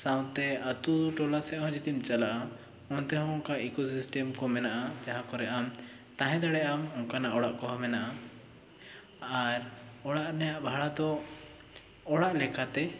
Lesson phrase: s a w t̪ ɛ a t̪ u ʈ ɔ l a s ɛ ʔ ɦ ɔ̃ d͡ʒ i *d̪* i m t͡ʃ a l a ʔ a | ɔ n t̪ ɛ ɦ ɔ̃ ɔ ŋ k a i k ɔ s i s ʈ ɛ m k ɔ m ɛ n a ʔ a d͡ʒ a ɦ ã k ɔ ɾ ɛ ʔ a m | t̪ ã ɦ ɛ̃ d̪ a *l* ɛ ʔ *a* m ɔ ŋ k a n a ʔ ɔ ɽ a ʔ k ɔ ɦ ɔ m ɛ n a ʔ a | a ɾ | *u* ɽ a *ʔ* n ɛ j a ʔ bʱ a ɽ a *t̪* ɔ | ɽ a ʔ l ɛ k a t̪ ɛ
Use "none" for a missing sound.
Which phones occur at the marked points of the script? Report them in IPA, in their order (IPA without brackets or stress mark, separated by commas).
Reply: t̪, ɽ, a, ɔ, ʔ, d̪